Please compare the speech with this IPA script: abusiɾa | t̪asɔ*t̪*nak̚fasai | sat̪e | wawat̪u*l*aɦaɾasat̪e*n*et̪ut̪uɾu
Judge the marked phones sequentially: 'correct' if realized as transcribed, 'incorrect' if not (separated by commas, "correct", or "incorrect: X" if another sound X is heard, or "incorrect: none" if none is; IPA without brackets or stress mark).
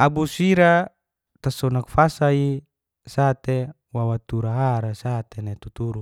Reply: incorrect: none, incorrect: ɾ, correct